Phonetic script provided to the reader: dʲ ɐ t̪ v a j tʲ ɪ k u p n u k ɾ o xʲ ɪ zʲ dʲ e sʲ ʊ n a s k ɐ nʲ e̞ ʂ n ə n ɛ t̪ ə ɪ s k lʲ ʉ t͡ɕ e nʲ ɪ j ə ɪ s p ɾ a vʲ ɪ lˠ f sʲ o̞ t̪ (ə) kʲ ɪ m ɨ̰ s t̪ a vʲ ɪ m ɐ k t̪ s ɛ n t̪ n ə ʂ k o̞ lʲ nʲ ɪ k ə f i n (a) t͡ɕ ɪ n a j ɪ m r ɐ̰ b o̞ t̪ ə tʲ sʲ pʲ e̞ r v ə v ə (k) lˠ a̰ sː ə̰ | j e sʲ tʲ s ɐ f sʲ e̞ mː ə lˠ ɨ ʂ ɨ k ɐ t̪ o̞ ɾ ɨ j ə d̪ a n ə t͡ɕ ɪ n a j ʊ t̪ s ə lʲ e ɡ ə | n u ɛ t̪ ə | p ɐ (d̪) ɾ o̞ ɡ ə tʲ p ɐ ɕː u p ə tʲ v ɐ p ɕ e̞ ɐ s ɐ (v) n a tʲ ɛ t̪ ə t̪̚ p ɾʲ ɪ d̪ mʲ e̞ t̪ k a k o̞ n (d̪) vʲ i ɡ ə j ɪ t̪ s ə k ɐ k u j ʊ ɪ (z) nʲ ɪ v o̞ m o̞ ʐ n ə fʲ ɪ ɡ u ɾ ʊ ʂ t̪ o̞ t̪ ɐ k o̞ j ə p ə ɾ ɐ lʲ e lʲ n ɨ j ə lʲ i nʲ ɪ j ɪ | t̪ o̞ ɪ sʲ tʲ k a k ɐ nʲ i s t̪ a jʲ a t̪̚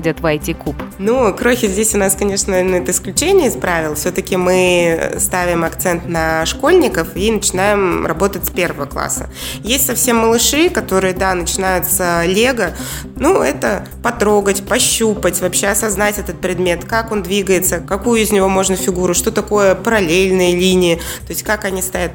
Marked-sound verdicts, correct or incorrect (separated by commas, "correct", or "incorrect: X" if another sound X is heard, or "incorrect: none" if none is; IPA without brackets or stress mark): correct, incorrect: ə, correct, incorrect: t̪, incorrect: z, correct, correct